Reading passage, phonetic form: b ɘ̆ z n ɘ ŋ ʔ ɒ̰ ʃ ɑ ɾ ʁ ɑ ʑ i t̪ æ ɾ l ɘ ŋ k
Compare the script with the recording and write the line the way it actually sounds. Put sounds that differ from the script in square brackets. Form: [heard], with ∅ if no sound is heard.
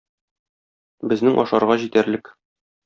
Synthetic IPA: b ɘ̆ z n ɘ ŋ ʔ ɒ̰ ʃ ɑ ɾ ʁ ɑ ʑ i t̪ æ ɾ l ɘ [∅] k